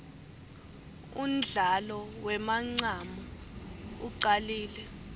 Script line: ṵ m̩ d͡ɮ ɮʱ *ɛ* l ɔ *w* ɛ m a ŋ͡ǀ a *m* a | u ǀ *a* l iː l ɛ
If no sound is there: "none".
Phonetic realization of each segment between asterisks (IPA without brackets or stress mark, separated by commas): a, w, m, a